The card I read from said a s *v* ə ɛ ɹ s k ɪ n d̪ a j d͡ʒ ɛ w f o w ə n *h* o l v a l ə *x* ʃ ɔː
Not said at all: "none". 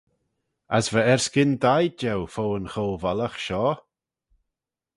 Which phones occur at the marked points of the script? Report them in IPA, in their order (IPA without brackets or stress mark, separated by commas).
v, x, x